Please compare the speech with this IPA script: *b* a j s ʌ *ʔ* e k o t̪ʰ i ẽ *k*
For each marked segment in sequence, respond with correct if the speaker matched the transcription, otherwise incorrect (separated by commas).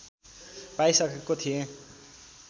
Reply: incorrect, incorrect, incorrect